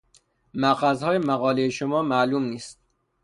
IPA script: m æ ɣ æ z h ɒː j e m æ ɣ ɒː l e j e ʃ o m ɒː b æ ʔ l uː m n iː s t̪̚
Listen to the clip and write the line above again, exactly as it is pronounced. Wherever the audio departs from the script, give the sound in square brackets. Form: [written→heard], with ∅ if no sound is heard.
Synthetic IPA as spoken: m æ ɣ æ z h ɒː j e m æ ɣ ɒː l e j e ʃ o m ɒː [b→m] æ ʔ l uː m n iː s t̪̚